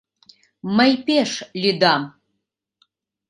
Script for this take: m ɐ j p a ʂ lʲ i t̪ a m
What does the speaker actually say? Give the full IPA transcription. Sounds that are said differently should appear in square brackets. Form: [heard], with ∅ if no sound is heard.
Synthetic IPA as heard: m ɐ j p [e] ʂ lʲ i [d̪] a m

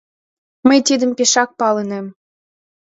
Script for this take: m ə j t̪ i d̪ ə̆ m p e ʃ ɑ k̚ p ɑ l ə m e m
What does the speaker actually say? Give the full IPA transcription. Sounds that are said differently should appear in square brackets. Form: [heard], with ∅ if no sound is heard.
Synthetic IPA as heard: m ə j t̪ i d̪ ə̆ m p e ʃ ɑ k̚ p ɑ l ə [n] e m

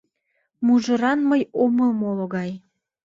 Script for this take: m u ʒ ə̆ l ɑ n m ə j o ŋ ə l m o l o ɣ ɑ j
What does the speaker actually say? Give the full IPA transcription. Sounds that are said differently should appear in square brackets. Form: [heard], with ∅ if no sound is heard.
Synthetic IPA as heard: m u ʒ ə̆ [ɾ] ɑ n m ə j o [m] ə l m o l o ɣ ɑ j

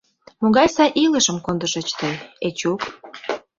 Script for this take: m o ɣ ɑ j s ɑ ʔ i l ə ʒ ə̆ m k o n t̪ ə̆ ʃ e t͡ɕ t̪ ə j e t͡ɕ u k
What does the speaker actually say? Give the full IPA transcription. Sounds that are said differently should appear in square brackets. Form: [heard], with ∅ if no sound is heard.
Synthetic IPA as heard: m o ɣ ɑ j s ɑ ʔ i l ə [ʃ] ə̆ m k o n [d̪] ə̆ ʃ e t͡ɕ t̪ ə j e t͡ɕ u k

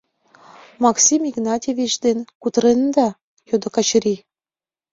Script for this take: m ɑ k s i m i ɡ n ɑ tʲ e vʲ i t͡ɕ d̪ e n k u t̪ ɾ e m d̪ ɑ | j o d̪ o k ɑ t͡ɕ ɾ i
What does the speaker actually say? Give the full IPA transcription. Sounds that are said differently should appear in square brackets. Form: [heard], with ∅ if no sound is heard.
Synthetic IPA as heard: m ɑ k s i m i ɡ n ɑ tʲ e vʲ i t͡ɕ d̪ e n k u t̪ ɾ e [n] d̪ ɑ | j o d̪ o k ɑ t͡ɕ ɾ i

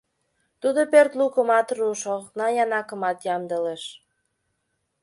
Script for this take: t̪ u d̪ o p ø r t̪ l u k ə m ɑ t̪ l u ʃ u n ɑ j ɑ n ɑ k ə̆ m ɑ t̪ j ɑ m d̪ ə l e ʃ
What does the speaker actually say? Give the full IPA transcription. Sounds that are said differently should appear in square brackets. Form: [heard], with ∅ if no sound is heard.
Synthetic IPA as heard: t̪ u d̪ o p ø r t̪ l u k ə m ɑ t̪ [r] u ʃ [o] n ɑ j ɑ n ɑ k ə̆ m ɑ t̪ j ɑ m d̪ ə l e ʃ

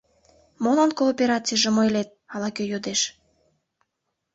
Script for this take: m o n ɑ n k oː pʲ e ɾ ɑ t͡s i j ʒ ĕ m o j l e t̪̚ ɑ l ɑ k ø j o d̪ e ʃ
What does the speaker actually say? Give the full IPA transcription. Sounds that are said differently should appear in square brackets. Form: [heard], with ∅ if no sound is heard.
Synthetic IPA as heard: m o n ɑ n k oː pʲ e ɾ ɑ t͡s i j ʒ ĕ m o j l e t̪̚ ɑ l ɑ k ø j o d̪ e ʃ

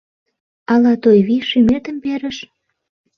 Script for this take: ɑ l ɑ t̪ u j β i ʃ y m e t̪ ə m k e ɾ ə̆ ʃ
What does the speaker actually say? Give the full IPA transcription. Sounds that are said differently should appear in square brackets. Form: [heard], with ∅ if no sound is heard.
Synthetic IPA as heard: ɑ l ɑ t̪ [o] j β i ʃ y m e t̪ ə m [p] e ɾ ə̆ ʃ

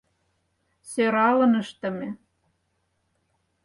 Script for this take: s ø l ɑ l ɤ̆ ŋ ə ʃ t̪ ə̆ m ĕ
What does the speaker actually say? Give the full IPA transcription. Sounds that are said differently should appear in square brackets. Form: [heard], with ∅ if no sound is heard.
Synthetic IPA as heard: s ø [ɾ] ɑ l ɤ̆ [n] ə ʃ t̪ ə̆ m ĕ

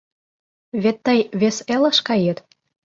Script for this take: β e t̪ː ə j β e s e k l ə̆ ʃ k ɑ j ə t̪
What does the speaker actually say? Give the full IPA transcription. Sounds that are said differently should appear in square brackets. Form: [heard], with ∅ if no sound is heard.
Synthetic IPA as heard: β e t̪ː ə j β e s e [∅] l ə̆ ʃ k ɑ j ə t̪

